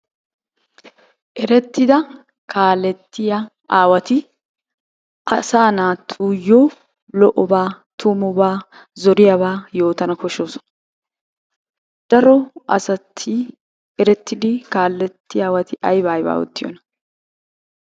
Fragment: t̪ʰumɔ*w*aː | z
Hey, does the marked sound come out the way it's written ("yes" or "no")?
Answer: no